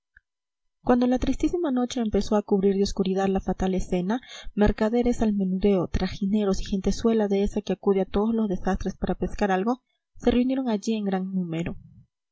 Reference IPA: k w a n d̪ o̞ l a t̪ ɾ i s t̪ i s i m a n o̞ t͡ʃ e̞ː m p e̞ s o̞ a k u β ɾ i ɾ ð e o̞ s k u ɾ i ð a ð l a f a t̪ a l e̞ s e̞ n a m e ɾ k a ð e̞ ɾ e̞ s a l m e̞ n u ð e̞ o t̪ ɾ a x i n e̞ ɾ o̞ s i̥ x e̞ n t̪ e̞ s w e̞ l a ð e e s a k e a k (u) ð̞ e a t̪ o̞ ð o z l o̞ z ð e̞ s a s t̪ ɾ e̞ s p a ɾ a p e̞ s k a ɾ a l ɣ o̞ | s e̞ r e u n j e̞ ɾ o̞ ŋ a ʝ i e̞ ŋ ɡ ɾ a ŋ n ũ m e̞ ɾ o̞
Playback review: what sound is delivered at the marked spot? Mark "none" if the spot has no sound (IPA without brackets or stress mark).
u